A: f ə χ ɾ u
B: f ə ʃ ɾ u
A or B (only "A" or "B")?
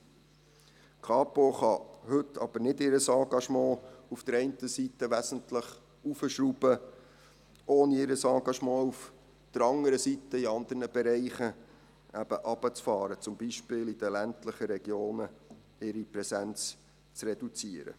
B